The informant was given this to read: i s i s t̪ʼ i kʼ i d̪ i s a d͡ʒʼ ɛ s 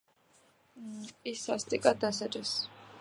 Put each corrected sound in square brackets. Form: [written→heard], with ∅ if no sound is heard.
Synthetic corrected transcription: i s [i→a] s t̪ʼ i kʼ [i→a] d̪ [i→a] s a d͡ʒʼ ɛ s

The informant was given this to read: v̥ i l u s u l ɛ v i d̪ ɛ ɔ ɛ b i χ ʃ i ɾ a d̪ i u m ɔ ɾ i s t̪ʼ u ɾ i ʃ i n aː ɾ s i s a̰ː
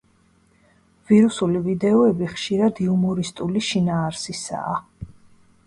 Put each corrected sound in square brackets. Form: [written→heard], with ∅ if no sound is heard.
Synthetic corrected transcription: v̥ i [l→ɾ] u s u l [ɛ→i] v i d̪ ɛ ɔ ɛ b i χ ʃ i ɾ a d̪ i u m ɔ ɾ i s t̪ʼ u [ɾ→l] i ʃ i n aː ɾ s i s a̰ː

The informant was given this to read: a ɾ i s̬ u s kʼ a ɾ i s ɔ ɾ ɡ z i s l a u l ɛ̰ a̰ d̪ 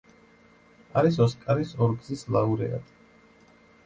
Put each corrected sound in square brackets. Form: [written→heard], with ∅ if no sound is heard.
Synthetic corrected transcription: a ɾ i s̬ [u→ɔ] s kʼ a ɾ i s ɔ ɾ ɡ z i s l a u [l→ɾ] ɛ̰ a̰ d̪

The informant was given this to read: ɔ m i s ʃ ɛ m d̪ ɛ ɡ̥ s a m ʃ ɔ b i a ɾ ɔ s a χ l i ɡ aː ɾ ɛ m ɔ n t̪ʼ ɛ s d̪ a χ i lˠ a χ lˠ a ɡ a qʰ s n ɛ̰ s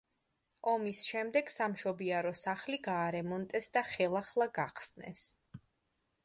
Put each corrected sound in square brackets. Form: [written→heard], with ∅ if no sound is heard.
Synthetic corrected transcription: ɔ m i s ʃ ɛ m d̪ ɛ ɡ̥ s a m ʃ ɔ b i a ɾ ɔ s a χ l i ɡ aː ɾ ɛ m ɔ n t̪ʼ ɛ s d̪ a χ [i→ɛ] lˠ a χ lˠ a ɡ a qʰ s n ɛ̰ s

